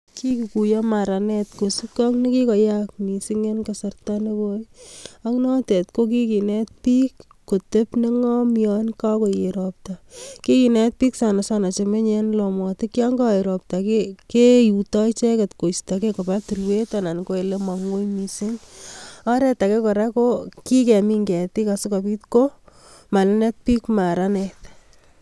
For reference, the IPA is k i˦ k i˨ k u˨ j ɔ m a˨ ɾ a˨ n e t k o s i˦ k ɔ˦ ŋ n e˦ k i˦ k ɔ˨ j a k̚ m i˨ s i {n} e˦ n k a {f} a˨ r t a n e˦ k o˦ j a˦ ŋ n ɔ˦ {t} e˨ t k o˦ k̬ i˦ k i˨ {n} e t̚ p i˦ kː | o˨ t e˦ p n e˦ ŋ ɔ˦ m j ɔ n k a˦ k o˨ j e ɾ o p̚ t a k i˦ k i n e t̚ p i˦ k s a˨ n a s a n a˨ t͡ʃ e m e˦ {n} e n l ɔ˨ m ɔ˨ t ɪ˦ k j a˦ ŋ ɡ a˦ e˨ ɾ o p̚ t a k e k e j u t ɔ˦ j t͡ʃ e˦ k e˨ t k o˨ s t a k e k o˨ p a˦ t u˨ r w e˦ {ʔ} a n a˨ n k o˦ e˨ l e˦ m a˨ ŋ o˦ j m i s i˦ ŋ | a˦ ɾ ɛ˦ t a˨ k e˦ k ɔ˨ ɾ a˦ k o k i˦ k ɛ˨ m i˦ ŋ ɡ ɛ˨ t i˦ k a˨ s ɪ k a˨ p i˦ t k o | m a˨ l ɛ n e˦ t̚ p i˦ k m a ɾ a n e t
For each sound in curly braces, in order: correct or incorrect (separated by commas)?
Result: incorrect, incorrect, correct, correct, incorrect, incorrect